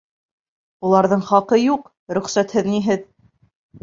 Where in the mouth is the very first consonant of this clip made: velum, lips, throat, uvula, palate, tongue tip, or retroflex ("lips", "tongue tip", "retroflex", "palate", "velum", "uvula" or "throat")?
tongue tip